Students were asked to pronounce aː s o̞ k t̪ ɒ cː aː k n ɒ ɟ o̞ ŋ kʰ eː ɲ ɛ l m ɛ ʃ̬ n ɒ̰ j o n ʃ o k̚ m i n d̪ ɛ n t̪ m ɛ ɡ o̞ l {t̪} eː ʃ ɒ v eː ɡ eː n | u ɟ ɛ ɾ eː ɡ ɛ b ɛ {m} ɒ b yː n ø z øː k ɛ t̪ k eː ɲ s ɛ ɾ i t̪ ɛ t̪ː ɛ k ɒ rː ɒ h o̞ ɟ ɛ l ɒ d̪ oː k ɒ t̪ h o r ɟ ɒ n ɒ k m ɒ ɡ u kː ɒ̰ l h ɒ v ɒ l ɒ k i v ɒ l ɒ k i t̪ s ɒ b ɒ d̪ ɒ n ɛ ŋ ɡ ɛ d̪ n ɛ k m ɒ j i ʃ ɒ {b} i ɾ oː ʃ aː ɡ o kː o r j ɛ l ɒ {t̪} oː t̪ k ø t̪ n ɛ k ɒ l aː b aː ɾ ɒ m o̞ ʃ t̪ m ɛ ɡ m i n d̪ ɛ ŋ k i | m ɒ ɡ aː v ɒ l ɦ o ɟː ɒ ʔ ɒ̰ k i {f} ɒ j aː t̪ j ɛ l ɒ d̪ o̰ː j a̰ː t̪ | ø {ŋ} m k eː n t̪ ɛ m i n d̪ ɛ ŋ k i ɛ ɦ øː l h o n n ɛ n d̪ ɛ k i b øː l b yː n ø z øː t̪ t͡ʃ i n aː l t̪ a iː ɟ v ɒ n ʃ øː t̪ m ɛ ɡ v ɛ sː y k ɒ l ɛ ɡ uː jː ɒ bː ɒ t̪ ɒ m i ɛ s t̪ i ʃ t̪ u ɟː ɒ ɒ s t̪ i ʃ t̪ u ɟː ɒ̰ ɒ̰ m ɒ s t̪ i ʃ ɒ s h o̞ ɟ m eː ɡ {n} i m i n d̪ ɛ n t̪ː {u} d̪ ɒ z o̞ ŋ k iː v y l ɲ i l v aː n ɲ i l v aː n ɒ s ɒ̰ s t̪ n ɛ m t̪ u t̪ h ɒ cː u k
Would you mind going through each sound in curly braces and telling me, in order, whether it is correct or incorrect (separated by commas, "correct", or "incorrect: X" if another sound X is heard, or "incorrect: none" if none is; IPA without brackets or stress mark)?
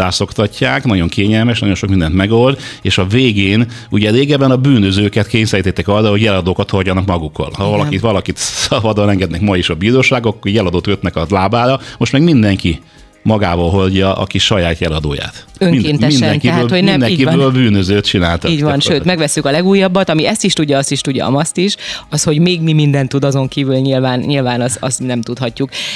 incorrect: d̪, incorrect: n, correct, incorrect: d̪, incorrect: ʃ, correct, incorrect: m, correct